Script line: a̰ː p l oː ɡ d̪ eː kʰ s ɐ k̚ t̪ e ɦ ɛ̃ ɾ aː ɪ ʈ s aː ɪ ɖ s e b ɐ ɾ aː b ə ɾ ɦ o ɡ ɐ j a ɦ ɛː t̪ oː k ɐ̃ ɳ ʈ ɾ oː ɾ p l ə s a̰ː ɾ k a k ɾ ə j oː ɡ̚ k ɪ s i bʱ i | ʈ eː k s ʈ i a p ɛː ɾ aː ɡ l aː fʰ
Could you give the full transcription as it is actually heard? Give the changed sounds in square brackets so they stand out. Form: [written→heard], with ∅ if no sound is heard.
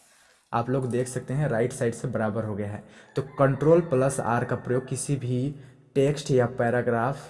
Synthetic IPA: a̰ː p l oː ɡ d̪ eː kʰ s ɐ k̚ t̪ e ɦ ɛ̃ ɾ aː ɪ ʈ s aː ɪ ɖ s e b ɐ ɾ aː b ə ɾ ɦ o ɡ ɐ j a ɦ ɛː t̪ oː k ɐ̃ ɳ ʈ ɾ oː [ɾ→l] p l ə s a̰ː ɾ k a [k→p] ɾ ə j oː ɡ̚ k ɪ s i bʱ i | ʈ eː k s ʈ [i→j] a p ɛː ɾ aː ɡ [l→ɾ] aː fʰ